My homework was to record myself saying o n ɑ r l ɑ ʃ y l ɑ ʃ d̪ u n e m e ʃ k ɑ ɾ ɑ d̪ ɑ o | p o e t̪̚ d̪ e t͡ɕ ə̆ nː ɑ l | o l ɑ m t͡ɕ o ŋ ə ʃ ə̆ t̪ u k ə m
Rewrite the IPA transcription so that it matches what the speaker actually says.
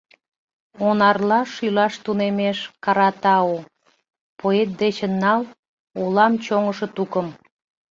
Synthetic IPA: o n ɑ r l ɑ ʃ y l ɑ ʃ t̪ u n e m e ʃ k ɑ ɾ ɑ t̪ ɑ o | p o e t̪̚ d̪ e t͡ɕ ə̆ nː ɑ l | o l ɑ m t͡ɕ o ŋ ə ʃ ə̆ t̪ u k ə m

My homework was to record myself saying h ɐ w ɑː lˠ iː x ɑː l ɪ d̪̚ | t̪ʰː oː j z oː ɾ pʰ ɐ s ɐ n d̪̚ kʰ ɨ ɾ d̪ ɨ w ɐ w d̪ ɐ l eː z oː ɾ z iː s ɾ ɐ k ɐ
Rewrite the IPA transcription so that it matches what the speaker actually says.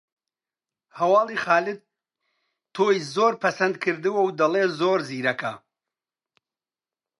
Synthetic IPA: h ɐ w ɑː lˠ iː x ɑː l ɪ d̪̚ | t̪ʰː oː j z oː ɾ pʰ ɐ s ɐ n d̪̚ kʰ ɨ ɾ d̪ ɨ w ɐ w d̪ ɐ l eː z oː ɾ z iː ɾ ɐ k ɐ

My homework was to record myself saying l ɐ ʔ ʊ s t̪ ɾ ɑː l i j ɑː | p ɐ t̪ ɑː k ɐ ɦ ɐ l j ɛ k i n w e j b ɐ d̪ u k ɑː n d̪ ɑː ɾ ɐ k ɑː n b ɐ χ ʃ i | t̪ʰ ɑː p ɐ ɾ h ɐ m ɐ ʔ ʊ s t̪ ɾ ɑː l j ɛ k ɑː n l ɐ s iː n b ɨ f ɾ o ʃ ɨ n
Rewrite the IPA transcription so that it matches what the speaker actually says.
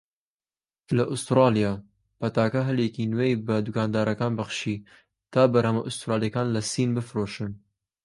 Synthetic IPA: l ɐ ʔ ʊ s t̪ ɾ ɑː l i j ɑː | p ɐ t̪ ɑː k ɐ ɦ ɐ l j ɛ k i n w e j b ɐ d̪ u k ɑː n d̪ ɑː ɾ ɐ k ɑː n b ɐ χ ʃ i | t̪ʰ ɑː b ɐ ɾ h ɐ m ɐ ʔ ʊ s t̪ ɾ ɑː l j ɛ k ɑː n l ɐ s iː n b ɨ f ɾ o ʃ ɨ n

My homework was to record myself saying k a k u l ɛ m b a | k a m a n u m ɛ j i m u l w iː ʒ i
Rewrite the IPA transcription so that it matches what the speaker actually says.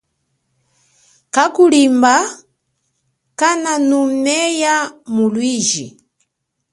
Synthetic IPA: k a k u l i m b a | k a n a n u m ɛ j a m u l w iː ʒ i

